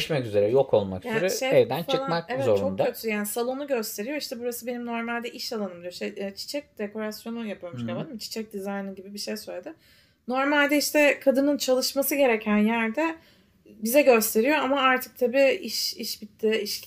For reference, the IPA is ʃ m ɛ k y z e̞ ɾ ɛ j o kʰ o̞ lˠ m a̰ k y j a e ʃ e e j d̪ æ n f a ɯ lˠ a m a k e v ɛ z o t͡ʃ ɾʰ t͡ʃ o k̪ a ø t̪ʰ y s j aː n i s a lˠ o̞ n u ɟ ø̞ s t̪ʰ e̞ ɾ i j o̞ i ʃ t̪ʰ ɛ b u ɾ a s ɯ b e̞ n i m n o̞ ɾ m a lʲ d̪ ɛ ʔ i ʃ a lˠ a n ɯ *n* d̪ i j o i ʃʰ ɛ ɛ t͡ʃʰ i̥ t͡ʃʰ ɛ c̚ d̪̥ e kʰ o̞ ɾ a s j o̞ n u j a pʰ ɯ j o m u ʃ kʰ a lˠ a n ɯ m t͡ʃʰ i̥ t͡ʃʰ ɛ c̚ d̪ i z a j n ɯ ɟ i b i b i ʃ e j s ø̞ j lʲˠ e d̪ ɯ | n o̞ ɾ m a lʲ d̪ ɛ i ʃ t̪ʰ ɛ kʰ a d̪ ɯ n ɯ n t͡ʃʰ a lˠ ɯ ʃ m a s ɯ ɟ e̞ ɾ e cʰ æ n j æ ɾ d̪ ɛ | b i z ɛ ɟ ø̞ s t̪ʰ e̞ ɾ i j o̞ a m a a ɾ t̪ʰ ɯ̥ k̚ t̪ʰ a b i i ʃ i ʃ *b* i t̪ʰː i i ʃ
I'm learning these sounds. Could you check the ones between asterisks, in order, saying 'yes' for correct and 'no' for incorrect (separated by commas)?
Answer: no, yes